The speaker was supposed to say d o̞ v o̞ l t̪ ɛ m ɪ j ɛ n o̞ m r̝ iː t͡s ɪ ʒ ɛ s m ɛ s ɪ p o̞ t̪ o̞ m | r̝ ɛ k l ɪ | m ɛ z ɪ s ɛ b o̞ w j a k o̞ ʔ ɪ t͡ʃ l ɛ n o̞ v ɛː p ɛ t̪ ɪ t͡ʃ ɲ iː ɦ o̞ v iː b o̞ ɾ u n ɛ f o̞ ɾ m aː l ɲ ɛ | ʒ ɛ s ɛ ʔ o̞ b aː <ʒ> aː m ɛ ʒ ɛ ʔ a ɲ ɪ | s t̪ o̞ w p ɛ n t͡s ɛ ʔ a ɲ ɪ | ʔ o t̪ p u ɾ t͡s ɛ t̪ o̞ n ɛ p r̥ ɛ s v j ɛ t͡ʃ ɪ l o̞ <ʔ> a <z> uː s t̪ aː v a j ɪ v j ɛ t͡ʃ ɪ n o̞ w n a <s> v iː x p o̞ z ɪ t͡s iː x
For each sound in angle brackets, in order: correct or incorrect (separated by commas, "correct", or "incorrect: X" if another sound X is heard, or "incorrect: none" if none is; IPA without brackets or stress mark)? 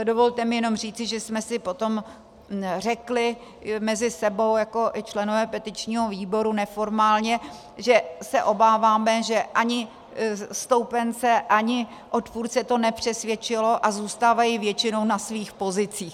incorrect: v, correct, correct, correct